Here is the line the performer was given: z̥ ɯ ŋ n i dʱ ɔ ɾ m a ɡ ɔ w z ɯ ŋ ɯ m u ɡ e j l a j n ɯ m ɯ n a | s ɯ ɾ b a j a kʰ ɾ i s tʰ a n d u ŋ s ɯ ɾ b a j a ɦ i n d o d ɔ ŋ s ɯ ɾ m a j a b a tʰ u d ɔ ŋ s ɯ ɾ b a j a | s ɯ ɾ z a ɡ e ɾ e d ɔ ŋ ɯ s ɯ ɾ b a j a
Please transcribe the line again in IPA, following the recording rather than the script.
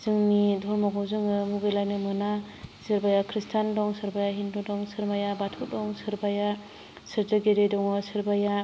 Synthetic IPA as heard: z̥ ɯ ŋ n i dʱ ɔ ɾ m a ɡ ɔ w z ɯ ŋ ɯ m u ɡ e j l a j n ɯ m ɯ n a | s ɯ ɾ b a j a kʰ ɾ i s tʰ a n d ɔ ŋ s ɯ ɾ b a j a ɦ i n d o d ɔ ŋ s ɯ ɾ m a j a b a tʰ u d ɔ ŋ s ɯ ɾ b a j a | s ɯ ɾ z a ɡ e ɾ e d ɔ ŋ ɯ s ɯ ɾ b a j a